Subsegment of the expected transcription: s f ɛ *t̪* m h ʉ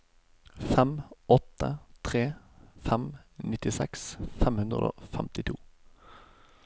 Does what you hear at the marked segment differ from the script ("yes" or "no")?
yes